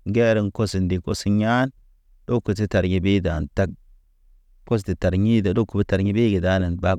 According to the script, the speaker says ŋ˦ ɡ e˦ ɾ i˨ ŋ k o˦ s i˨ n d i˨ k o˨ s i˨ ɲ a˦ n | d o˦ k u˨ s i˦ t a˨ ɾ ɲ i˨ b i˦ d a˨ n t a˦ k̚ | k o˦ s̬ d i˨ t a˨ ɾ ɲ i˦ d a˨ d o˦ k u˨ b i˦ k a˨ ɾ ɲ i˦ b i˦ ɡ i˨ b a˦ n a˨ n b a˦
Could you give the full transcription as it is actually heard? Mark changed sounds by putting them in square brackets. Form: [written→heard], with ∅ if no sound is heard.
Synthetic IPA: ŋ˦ ɡ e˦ ɾ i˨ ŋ k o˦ s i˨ n d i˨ k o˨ s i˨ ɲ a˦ n | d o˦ k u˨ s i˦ t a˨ ɾ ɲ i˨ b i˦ d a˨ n t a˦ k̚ | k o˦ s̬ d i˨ t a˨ ɾ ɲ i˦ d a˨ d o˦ k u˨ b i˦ [k→t] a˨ ɾ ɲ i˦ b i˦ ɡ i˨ [b→d] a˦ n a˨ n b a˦